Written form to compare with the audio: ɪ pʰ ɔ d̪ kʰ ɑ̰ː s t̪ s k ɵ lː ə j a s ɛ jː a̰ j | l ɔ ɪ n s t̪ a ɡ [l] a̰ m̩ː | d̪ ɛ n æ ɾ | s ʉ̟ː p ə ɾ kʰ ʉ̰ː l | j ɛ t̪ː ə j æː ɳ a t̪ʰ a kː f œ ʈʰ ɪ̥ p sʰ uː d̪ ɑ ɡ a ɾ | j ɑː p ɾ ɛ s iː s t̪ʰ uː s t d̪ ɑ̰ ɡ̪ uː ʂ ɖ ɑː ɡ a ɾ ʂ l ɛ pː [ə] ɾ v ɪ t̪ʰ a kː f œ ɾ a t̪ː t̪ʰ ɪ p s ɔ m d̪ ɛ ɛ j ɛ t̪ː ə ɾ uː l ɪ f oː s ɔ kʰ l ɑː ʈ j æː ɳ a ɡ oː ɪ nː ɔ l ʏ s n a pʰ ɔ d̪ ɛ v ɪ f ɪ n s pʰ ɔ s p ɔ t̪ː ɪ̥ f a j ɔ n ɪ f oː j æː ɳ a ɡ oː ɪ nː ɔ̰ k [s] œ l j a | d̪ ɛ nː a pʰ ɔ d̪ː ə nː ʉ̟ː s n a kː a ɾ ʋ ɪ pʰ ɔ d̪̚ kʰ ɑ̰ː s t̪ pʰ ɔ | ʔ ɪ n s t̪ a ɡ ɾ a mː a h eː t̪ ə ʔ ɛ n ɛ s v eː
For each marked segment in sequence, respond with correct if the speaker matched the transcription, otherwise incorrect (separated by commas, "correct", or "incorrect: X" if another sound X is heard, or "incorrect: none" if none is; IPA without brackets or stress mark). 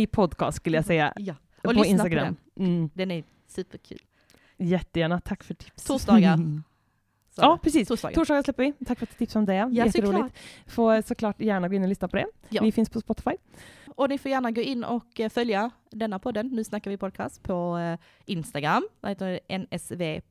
incorrect: ɾ, correct, incorrect: f